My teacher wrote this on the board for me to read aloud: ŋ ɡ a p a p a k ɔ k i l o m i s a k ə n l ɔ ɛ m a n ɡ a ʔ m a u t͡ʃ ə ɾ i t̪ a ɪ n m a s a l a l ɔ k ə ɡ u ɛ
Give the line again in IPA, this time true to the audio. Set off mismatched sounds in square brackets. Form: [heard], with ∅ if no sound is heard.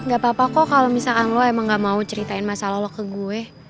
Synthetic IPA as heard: ŋ ɡ a p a p a k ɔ k [a] l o m i s a k [a] n l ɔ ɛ m a [ŋ] ɡ a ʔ m a u t͡ʃ ə ɾ i t̪ a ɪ n m a s a l a l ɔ k ə ɡ u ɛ

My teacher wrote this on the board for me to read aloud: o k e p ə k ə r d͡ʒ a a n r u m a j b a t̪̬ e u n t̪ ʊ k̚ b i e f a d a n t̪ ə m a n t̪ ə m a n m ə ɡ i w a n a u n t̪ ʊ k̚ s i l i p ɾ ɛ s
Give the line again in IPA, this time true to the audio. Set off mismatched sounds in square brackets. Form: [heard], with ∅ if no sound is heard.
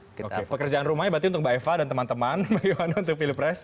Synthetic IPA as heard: o k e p ə k ə r d͡ʒ a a n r u m a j b a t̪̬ [i] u n t̪ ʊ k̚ b [a] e f a d a n t̪ ə m a n t̪ ə m a n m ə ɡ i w a n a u n t̪ ʊ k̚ [f] i l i p ɾ ɛ s

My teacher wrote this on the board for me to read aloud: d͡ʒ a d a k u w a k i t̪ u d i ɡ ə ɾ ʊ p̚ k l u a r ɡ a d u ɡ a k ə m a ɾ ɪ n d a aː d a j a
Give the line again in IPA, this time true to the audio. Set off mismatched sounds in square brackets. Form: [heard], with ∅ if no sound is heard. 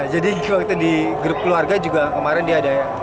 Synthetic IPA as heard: d͡ʒ a d [i] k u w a k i t̪ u d i ɡ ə ɾ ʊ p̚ k l u a r ɡ a [d͡ʒ] u ɡ a k ə m a ɾ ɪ n d [i] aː d a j a

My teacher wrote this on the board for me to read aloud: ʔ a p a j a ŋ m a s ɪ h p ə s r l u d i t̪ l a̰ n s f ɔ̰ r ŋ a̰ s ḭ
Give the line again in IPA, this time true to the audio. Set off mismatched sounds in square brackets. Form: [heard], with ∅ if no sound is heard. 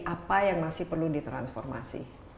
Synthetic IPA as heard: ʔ a p a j a ŋ m a s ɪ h p ə [∅] r l u d i t̪ [ɾ] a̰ n s f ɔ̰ r [m] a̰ s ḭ

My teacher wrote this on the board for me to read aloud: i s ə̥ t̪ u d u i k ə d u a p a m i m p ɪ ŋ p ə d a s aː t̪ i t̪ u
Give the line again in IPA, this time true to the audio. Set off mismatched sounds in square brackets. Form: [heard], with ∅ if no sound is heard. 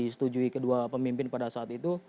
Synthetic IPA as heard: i s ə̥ t̪ u [d͡ʒ] u i k ə d u a p [ə] m i m p ɪ [n] p [a] d a s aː t̪ i t̪ u

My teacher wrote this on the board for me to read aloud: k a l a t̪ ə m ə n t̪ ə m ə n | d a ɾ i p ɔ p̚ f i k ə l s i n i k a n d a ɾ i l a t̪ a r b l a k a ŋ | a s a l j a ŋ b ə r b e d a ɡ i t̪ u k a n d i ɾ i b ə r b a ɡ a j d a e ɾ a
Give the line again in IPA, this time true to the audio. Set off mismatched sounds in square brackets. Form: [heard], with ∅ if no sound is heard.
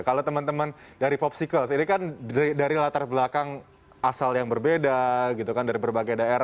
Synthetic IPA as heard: k a l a t̪ ə m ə n t̪ ə m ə n | d a ɾ i p ɔ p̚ [s] i k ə l s i n i k a n d a ɾ i l a t̪ a r b l a k a ŋ | a s a l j a ŋ b ə r b e d a ɡ i t̪ u k a n d [a] ɾ i b ə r b a ɡ a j d a e ɾ a

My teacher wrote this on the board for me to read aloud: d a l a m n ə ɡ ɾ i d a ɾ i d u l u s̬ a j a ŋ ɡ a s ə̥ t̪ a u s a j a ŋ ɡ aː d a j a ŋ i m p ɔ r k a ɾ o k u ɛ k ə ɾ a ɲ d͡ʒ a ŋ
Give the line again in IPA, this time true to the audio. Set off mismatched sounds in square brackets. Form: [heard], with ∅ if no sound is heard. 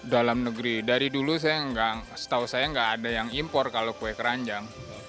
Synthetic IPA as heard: d a l a m n ə ɡ ɾ i d a ɾ i d u l u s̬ a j a ŋ ɡ a s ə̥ t̪ a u s a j a ŋ ɡ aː d a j a ŋ i m p ɔ r k a [l] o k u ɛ k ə ɾ a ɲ d͡ʒ a ŋ

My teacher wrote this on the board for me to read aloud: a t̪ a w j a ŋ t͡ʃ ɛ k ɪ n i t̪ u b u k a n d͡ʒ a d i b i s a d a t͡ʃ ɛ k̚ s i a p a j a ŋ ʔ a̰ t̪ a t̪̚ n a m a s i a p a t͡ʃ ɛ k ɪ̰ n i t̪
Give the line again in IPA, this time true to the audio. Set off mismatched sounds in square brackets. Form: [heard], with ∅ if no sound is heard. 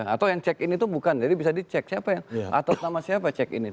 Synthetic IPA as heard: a t̪ a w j a ŋ t͡ʃ ɛ k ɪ n i t̪ u b u k a n d͡ʒ a d i b i s a d [i] t͡ʃ ɛ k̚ s i a p a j a ŋ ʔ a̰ t̪ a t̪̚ n a m a s i a p a t͡ʃ ɛ k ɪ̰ n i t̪

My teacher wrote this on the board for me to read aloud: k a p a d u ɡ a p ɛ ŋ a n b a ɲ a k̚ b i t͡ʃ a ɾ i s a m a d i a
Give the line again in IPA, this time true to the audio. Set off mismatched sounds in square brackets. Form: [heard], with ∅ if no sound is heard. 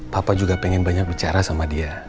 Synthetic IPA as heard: [p] a p a [d͡ʒ] u ɡ a p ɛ ŋ [ɛ] n b a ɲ a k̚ b i t͡ʃ a ɾ [a] s a m a d i a

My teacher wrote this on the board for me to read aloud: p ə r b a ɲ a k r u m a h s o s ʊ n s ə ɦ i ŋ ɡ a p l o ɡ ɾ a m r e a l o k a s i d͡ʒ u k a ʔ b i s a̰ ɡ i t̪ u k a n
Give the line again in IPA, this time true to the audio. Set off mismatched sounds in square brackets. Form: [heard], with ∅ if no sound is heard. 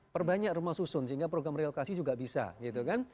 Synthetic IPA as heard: p ə r b a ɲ a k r u m a h s [u] s ʊ n s ə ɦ i ŋ ɡ a p [ɾ] o ɡ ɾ a m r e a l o k a s i d͡ʒ u [ɡ] a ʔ b i s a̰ ɡ i t̪ u k a n

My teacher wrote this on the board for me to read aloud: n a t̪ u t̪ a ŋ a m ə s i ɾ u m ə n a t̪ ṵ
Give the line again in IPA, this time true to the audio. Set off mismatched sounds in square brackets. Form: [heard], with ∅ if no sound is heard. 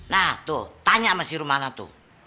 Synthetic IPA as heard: n a t̪ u t̪ a [ɲ] a m [a] s i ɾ u m [a] n a t̪ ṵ

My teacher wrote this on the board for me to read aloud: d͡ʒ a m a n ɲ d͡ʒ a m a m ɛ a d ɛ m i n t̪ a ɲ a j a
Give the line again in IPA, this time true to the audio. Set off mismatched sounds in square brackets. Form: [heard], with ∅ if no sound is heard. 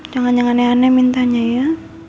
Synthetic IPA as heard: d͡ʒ a [ŋ] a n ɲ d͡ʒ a [ŋ] a [n] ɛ a [n] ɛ m i n t̪ a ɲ a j a

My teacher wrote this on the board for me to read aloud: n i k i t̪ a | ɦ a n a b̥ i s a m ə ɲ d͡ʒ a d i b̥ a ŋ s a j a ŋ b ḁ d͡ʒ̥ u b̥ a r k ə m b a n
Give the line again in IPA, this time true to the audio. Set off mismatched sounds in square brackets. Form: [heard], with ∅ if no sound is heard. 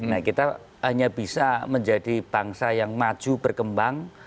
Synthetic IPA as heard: n [a] k i t̪ a | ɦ a [ɲ] a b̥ i s a m ə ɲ d͡ʒ a d i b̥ a ŋ s a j a ŋ [m] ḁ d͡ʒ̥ u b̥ [ə] r k ə m b a [ŋ]

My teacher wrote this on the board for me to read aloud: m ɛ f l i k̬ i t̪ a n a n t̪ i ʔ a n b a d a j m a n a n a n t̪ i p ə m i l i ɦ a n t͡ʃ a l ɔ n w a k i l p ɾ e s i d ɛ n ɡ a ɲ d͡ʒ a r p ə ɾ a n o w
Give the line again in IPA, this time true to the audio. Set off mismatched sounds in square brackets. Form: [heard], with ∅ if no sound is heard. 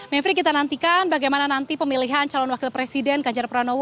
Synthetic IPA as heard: m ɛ f [ɾ] i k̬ i t̪ a n a n t̪ i [k] a n b a [ɡ] a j m a n a n a n t̪ i p ə m i l i ɦ a n t͡ʃ a l ɔ n w a k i l p ɾ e s i d ɛ n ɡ a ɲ d͡ʒ a r p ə ɾ a n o w

